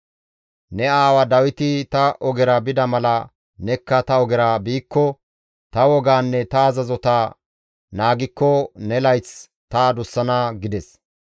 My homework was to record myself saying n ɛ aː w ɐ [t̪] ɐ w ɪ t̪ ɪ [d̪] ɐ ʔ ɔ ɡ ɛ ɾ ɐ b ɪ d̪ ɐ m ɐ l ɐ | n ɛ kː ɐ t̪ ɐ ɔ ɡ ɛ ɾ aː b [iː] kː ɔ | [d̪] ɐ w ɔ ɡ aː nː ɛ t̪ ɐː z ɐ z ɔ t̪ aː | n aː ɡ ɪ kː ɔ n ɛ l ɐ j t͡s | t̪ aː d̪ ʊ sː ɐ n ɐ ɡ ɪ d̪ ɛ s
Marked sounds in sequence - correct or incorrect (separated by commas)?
incorrect, incorrect, correct, incorrect